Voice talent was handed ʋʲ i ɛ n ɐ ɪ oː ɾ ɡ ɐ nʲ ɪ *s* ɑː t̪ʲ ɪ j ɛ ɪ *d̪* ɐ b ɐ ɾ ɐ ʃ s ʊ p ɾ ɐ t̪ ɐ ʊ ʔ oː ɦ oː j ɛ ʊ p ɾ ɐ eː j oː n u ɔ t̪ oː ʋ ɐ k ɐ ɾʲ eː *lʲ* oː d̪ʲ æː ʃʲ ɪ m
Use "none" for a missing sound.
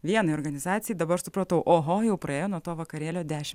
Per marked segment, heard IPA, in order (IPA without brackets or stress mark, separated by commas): z, d̪, lʲ